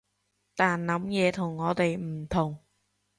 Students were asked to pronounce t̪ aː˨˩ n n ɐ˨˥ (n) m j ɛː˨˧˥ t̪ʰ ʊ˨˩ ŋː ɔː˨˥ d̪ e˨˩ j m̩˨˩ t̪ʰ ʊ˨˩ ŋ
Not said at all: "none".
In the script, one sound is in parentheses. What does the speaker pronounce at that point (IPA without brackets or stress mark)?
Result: none